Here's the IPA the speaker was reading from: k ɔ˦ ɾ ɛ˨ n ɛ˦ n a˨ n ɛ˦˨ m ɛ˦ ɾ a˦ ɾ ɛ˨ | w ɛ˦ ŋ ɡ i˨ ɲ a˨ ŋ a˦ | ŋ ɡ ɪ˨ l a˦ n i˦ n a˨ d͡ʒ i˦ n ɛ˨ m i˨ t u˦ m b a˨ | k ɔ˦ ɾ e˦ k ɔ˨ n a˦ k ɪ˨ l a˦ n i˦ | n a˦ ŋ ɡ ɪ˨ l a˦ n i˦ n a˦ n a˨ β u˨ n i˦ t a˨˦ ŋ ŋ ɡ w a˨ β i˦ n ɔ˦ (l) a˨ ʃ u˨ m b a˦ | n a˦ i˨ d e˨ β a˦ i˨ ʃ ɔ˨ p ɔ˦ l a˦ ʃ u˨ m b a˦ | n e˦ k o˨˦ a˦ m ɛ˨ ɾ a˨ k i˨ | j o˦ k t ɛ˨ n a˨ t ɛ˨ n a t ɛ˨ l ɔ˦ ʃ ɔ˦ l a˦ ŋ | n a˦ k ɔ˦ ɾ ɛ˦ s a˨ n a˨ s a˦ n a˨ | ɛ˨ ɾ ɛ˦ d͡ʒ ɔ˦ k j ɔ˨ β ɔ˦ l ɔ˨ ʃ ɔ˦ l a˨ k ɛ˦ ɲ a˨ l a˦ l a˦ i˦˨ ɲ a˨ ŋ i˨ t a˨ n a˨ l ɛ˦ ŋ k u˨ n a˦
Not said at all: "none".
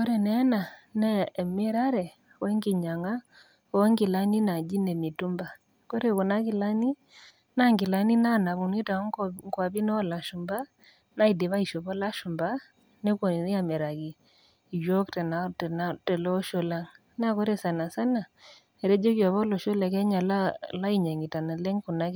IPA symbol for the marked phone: l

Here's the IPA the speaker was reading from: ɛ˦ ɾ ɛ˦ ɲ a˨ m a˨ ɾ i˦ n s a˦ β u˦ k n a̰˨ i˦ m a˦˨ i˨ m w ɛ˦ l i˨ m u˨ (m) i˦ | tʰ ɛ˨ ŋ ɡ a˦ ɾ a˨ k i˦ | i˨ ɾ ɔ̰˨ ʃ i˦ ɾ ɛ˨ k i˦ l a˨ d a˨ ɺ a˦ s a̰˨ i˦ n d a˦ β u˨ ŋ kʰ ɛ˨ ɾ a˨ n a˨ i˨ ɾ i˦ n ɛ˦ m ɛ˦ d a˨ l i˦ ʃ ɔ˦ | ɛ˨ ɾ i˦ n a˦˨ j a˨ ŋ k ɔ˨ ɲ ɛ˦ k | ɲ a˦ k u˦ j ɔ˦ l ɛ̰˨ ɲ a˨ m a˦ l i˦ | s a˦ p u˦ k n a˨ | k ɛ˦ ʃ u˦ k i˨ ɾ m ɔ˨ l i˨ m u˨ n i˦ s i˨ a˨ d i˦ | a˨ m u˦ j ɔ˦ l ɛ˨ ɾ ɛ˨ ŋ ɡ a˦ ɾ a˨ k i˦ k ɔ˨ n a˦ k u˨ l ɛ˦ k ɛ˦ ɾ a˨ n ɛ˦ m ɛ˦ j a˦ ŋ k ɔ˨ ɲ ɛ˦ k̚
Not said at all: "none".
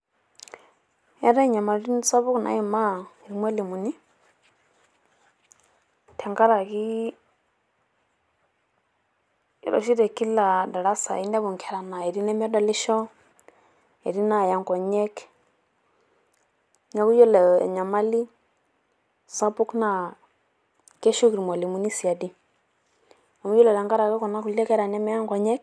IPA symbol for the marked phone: n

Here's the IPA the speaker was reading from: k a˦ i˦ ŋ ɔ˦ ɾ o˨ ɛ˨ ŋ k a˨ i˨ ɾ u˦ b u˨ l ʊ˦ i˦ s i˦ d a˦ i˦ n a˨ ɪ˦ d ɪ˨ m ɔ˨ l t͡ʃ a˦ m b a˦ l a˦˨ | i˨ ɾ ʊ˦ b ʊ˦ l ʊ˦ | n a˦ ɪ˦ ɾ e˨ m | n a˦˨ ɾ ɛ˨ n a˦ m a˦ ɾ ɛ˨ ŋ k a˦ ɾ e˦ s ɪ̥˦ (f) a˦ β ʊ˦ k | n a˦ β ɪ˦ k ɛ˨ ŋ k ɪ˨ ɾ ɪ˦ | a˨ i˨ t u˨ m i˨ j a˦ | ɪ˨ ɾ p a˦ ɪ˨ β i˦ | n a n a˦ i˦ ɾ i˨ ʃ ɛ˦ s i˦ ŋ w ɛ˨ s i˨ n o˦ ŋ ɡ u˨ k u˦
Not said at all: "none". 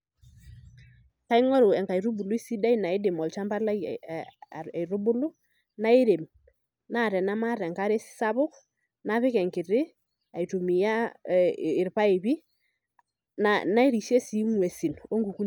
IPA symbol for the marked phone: s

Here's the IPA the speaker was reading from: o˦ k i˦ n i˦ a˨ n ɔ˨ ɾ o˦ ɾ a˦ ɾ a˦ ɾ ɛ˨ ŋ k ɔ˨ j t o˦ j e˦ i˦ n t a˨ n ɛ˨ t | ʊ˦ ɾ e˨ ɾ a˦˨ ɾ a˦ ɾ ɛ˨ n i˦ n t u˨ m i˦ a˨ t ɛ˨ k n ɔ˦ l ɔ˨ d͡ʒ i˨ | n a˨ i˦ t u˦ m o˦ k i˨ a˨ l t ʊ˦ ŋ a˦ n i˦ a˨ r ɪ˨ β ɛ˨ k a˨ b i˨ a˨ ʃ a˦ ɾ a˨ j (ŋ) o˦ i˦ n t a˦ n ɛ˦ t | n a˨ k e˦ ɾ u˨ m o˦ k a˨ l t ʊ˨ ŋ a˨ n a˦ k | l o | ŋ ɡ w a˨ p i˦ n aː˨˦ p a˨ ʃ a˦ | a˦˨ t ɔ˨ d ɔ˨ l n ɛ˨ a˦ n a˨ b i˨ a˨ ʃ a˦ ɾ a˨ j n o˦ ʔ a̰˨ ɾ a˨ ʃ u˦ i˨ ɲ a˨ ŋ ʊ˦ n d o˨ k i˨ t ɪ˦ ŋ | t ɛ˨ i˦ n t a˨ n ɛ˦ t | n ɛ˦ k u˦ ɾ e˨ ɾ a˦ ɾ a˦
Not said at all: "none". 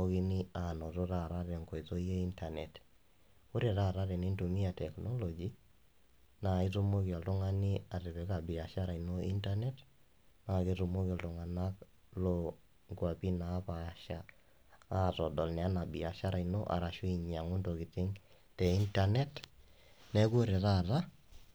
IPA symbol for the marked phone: n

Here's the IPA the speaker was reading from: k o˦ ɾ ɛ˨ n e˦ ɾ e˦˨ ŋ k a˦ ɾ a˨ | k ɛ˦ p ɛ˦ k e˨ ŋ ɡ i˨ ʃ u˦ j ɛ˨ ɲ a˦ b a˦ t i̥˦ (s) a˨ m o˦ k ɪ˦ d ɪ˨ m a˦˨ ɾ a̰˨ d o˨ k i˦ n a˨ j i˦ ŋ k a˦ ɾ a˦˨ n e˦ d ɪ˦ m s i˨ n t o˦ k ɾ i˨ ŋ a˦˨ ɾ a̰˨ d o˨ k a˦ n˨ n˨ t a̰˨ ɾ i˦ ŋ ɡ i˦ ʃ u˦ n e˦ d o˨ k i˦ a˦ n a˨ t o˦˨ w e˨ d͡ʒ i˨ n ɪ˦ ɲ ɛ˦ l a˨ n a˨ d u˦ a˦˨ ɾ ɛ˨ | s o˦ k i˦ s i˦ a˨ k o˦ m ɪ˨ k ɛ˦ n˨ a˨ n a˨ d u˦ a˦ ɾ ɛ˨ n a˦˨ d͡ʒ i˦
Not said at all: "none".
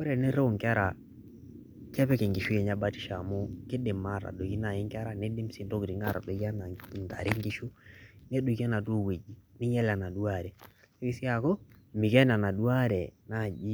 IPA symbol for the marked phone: ʃ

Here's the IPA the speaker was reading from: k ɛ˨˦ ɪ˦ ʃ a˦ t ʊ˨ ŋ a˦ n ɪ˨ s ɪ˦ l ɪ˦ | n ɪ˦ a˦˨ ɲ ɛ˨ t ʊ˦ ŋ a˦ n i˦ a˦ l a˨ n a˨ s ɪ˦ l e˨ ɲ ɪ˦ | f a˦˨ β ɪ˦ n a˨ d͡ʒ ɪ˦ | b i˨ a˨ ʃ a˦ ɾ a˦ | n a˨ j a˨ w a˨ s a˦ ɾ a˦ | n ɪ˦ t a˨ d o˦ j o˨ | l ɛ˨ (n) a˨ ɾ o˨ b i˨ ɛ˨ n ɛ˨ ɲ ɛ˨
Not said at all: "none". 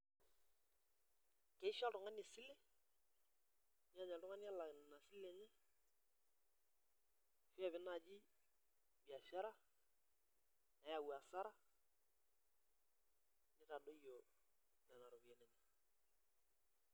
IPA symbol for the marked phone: n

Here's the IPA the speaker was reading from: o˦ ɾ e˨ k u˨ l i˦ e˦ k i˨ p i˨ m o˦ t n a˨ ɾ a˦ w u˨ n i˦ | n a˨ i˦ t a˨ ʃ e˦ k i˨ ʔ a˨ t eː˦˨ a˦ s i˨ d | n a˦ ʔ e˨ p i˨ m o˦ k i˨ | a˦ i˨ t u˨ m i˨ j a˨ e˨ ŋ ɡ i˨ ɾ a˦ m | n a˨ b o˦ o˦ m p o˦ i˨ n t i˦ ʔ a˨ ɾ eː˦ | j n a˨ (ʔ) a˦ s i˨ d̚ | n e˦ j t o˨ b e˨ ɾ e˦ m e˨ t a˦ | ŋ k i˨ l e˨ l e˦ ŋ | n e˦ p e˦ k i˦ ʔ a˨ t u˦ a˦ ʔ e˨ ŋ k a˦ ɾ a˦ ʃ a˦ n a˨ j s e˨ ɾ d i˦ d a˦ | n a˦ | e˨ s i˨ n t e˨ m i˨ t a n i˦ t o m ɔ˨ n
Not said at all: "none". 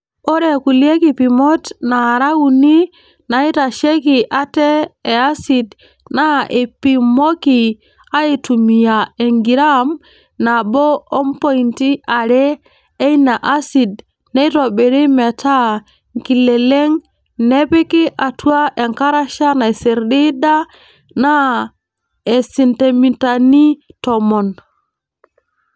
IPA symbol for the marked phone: ʔ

